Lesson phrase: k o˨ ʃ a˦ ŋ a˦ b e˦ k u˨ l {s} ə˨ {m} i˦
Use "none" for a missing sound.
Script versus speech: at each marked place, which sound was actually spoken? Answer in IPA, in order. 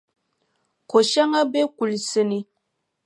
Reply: s, n

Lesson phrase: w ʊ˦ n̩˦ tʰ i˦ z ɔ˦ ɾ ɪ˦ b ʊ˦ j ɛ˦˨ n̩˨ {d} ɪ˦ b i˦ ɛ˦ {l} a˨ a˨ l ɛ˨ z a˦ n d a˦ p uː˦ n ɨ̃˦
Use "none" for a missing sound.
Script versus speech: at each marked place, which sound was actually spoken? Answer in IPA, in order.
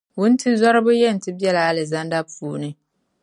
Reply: t, l

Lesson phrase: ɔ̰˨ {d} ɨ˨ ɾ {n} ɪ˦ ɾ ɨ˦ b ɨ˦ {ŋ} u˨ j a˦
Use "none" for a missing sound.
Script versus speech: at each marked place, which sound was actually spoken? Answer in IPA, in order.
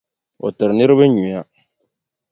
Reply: t, n, ɲ

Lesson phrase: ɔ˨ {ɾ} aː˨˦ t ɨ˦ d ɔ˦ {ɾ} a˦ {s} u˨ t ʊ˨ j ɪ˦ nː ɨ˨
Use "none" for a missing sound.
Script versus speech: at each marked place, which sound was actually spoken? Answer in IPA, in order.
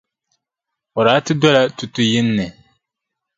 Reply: ɾ, l, t

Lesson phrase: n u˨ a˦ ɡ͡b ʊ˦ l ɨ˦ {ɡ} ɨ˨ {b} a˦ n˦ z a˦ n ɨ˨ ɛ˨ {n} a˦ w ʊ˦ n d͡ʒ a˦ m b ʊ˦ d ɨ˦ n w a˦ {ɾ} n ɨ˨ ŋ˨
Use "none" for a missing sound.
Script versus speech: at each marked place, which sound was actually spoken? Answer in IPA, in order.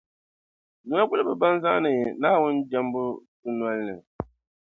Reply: b, b, n, l

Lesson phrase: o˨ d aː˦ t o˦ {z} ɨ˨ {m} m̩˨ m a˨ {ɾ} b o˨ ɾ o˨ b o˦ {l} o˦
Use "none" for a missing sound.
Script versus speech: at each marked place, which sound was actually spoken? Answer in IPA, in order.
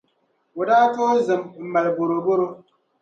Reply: z, m, l, ɾ

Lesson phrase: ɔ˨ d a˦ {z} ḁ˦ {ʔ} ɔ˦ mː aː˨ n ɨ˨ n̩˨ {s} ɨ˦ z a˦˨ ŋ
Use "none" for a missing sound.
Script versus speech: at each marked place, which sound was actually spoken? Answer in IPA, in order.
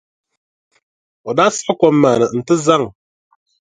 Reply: s, k, t

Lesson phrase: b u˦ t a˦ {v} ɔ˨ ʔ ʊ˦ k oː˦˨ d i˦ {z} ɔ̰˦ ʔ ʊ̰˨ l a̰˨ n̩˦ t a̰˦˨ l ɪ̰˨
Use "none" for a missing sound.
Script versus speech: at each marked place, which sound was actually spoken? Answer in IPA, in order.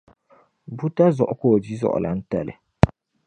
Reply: z, z

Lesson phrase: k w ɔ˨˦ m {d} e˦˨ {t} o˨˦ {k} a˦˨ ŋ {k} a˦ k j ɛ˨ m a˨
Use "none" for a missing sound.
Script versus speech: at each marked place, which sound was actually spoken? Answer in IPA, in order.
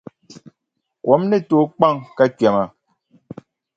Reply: n, t, k͡p, k

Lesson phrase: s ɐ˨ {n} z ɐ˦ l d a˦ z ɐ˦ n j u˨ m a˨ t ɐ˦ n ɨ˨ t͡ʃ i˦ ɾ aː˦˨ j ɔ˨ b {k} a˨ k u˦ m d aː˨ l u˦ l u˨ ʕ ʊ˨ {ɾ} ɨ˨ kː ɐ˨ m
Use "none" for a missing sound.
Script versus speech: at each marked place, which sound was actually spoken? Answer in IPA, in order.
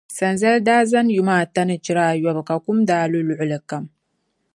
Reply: n, k, l

